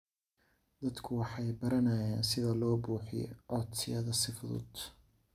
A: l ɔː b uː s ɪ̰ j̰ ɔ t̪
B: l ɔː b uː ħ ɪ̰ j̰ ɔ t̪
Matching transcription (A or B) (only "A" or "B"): B